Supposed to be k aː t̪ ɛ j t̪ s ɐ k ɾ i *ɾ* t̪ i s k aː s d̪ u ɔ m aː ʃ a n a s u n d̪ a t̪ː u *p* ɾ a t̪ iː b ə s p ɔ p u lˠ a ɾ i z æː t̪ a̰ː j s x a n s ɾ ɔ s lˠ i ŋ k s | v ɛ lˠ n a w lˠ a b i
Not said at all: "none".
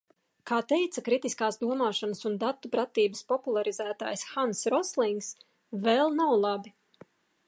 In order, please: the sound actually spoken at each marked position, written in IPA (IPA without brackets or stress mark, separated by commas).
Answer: none, p